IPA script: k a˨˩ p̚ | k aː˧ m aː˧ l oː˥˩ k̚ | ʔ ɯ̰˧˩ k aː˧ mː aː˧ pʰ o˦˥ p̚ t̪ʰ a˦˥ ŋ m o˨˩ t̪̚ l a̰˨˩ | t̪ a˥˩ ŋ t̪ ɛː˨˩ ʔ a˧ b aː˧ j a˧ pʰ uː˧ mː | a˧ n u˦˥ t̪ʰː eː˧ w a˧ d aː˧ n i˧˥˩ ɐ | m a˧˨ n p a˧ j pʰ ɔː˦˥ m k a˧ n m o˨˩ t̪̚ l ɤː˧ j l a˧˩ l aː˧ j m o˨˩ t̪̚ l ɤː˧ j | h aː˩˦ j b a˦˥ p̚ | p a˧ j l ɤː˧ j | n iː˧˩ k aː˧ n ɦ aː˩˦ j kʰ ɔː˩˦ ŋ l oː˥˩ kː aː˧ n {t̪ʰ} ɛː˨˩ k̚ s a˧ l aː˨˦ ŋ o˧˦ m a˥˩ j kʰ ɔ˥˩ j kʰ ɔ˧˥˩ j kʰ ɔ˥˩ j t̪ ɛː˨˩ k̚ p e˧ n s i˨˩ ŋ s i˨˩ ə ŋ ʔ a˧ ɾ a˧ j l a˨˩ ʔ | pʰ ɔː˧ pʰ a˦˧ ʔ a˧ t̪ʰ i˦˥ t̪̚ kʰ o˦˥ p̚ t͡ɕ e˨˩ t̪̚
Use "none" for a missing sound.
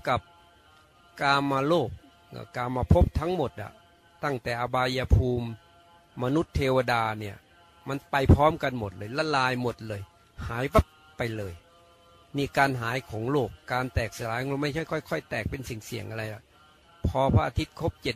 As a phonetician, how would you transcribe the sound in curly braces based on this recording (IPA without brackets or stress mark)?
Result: t̪